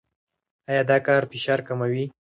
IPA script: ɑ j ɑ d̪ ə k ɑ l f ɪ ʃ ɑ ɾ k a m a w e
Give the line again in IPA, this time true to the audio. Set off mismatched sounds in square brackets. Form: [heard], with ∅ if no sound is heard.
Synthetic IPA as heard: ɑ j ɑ d̪ [ɑ] k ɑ [ɾ] f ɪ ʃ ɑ ɾ k a m a w [i]